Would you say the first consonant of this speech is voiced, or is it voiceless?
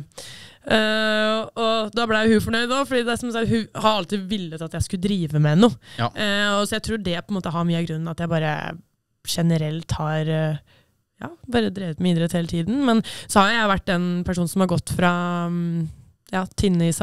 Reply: voiced